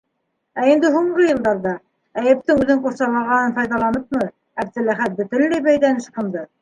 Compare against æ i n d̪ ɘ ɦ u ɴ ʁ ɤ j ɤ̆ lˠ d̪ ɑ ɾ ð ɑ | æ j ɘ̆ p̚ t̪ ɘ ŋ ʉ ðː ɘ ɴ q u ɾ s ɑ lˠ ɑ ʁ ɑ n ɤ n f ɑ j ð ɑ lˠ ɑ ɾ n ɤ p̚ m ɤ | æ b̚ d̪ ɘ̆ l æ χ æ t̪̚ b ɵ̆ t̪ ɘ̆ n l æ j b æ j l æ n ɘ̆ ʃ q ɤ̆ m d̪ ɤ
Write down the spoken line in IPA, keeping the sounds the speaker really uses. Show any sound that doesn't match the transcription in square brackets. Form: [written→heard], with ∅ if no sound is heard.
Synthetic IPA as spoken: æ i n d̪ ɘ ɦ u ɴ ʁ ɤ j ɤ̆ lˠ d̪ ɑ ɾ ð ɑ | æ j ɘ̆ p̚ t̪ ɘ ŋ ʉ [ðː→ð] ɘ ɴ q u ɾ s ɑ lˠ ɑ ʁ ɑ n ɤ n f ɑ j ð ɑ lˠ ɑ [ɾ→∅] n ɤ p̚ m ɤ | æ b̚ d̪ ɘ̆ l æ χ æ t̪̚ b ɵ̆ t̪ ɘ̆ n l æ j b æ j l æ n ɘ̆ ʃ q ɤ̆ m d̪ ɤ

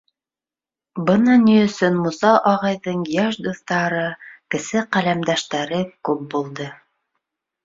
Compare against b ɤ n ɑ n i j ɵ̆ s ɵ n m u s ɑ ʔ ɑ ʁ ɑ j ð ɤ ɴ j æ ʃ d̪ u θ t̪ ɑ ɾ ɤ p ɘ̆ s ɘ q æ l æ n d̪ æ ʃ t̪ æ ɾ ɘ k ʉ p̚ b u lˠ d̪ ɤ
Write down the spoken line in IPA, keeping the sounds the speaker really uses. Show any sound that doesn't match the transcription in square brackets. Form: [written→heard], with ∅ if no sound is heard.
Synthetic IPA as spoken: b ɤ n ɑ n i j ɵ̆ s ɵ n m u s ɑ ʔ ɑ ʁ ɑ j ð ɤ ɴ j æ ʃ d̪ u θ t̪ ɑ ɾ ɤ [p→k] ɘ̆ s ɘ q æ l æ [n→m] d̪ æ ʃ t̪ æ ɾ ɘ k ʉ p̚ b u lˠ d̪ ɤ

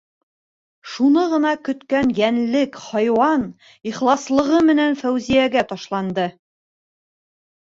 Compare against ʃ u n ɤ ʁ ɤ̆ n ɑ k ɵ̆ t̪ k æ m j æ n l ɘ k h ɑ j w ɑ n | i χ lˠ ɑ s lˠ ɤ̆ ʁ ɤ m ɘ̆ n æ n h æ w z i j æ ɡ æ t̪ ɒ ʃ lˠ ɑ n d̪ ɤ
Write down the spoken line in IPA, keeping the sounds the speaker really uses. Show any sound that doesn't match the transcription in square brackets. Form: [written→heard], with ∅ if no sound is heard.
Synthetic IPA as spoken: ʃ u n ɤ ʁ ɤ̆ n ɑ k ɵ̆ t̪ k æ [m→n] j æ n l ɘ k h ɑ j w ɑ n | i χ lˠ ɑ s lˠ ɤ̆ ʁ ɤ m ɘ̆ n æ n [h→f] æ w z i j æ ɡ æ t̪ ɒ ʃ lˠ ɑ n d̪ ɤ

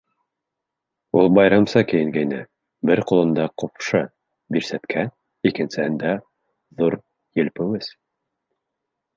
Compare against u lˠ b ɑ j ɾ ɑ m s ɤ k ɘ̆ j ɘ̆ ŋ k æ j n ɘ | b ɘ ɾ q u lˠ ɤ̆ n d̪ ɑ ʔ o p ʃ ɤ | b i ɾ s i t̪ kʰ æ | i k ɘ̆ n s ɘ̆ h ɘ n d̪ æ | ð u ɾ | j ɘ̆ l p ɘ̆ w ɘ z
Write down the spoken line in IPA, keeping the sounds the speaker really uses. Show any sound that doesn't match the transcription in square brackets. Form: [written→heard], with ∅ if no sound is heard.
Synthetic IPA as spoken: u lˠ b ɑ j ɾ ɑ m s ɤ k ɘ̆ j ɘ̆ ŋ [k→ɡ] æ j n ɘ | b ɘ ɾ q u lˠ ɤ̆ n d̪ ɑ [ʔ→q] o p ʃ ɤ | b i ɾ s [i→æ] t̪ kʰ æ | i k ɘ̆ n s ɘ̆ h ɘ n d̪ æ | ð u ɾ | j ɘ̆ l p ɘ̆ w ɘ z

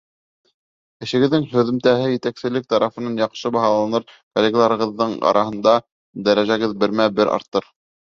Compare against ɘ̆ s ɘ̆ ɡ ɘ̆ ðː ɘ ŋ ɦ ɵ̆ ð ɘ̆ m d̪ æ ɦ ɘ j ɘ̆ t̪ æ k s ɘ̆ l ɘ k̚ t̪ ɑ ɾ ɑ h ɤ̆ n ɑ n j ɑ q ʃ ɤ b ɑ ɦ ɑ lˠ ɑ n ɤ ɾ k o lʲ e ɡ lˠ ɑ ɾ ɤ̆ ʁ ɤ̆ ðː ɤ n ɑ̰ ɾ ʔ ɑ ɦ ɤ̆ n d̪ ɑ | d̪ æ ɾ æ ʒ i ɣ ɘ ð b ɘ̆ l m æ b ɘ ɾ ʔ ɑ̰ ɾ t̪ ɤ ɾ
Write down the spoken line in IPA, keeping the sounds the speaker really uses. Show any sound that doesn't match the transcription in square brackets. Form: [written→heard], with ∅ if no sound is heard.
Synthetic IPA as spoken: ɘ̆ [s→ʃ] ɘ̆ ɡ ɘ̆ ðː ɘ ŋ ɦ ɵ̆ ð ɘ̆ m [d̪→t̪] æ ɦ ɘ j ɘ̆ t̪ æ k s ɘ̆ l ɘ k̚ t̪ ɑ ɾ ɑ [h→f] ɤ̆ n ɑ n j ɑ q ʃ ɤ b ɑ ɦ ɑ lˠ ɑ n ɤ ɾ k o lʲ e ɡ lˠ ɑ ɾ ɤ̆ ʁ ɤ̆ ðː ɤ [n→ɴ] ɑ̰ ɾ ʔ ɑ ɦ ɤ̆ n d̪ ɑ | d̪ æ ɾ æ ʒ [i→æ] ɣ ɘ ð b ɘ̆ [l→ɾ] m æ b ɘ ɾ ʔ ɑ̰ ɾ t̪ ɤ ɾ

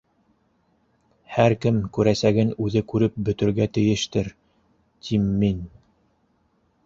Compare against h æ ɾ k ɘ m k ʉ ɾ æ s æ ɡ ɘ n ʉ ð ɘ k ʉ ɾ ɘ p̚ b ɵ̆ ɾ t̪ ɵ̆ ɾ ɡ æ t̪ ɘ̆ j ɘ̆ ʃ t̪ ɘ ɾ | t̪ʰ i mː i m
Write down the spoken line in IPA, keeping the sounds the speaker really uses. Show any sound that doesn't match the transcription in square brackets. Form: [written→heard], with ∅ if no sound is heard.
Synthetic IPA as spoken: h æ ɾ k ɘ m k ʉ ɾ æ s æ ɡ ɘ n ʉ ð ɘ k ʉ ɾ ɘ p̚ b ɵ̆ [ɾ→∅] t̪ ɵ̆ ɾ ɡ æ t̪ ɘ̆ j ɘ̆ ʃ t̪ ɘ ɾ | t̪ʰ i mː i [m→n]

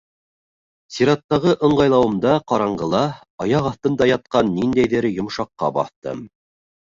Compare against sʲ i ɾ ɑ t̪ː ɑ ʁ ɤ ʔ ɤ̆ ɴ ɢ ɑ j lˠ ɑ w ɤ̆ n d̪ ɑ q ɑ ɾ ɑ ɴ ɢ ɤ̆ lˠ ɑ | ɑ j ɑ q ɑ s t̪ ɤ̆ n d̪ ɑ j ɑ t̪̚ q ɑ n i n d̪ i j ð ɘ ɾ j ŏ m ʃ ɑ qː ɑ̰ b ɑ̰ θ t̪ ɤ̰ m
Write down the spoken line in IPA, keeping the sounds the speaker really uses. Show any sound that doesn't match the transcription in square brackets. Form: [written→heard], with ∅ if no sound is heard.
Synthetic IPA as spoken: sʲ i ɾ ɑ t̪ː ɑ ʁ ɤ ʔ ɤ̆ ɴ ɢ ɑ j lˠ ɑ w ɤ̆ [n→m] d̪ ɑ q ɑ ɾ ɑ ɴ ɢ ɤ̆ lˠ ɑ | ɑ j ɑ q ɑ [s→θ] t̪ ɤ̆ n d̪ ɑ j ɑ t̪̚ q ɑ [n→nː] i n d̪ [i→æ] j ð ɘ ɾ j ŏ m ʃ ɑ qː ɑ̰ b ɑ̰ θ t̪ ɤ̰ m

